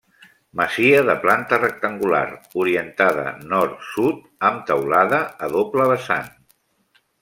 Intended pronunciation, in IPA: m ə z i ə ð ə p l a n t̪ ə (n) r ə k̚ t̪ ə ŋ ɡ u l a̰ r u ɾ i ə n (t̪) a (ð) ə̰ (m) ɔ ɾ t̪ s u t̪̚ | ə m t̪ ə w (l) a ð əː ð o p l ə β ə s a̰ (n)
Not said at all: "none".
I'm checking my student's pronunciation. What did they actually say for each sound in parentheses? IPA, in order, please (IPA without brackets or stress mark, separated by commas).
none, t̪, ð, n, l, n